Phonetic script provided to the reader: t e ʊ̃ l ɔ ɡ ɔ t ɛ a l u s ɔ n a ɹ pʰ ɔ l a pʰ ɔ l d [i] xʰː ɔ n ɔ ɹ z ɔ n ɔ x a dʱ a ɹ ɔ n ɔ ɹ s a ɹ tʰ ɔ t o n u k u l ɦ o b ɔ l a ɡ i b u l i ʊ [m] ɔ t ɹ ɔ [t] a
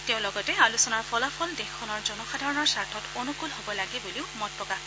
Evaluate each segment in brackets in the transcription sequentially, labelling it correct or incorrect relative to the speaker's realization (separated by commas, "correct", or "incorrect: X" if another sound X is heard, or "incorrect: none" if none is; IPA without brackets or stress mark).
incorrect: e, correct, incorrect: k